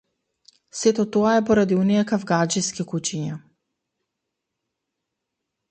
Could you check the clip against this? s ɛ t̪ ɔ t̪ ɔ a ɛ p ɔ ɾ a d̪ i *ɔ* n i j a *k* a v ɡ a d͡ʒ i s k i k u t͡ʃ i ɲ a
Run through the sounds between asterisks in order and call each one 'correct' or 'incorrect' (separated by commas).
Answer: incorrect, correct